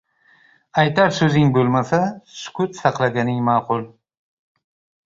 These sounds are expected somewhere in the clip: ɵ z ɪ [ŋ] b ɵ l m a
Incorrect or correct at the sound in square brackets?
correct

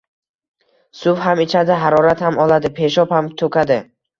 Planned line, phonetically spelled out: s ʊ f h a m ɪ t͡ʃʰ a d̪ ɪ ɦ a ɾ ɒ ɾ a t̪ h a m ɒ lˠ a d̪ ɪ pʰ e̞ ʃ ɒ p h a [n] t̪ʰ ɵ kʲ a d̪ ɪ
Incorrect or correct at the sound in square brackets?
incorrect: m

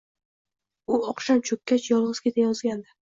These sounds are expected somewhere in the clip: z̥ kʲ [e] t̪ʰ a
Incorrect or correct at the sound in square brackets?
correct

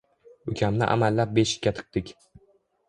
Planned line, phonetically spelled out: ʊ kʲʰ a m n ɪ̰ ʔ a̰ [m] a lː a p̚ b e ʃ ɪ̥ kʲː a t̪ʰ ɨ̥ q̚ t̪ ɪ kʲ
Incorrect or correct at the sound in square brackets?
correct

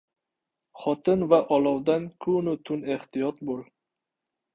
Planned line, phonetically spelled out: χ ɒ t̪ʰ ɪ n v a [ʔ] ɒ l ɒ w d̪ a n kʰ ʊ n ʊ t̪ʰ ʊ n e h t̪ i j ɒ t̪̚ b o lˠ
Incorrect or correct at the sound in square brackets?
correct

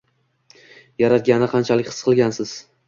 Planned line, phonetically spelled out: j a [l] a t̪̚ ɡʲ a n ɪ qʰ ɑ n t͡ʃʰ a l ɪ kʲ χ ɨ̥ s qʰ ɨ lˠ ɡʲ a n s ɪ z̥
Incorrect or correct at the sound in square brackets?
incorrect: ɾ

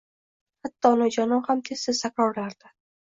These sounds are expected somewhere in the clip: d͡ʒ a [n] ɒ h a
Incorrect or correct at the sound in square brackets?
correct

